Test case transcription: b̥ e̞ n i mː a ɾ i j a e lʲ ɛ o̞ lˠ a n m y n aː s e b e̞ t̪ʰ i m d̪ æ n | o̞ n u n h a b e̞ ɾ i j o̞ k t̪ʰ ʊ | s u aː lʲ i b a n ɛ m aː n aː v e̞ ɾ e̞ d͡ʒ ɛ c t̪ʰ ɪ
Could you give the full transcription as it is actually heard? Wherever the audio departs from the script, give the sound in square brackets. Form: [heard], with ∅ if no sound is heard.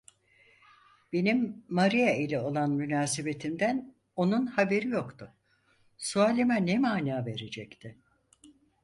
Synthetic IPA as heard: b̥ e̞ n i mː a ɾ i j a [i] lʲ ɛ o̞ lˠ a n m y n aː s e b e̞ t̪ʰ i m d̪ æ n | o̞ n u n h a b e̞ ɾ i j o̞ k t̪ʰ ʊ | s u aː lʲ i [m] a n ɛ m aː n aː v e̞ ɾ e̞ d͡ʒ ɛ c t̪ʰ ɪ